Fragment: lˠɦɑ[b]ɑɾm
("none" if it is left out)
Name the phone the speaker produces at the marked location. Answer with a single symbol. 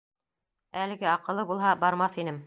b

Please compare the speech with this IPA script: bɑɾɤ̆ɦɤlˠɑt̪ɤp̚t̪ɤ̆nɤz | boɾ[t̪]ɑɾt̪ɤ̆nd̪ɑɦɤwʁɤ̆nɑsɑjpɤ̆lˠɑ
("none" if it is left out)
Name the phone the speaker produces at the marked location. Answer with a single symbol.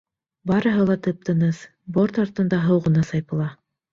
t̪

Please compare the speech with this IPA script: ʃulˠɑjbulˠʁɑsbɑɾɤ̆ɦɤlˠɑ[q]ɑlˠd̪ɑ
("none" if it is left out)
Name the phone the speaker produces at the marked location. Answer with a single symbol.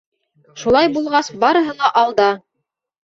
ʔ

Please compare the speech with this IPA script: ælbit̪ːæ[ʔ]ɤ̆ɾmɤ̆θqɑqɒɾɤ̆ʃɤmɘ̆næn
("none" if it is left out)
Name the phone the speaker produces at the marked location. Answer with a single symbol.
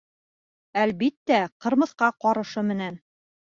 q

